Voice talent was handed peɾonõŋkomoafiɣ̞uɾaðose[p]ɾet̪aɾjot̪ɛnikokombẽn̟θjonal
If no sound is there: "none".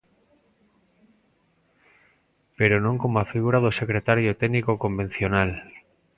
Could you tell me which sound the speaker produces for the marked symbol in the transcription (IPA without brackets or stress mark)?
k